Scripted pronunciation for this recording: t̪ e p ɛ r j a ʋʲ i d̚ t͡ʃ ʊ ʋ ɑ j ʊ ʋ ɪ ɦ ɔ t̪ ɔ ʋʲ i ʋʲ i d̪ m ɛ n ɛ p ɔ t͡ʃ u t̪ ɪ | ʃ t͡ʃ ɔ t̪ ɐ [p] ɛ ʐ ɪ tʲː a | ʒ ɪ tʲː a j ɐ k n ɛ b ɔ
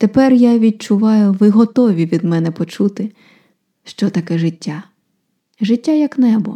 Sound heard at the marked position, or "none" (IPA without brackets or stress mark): k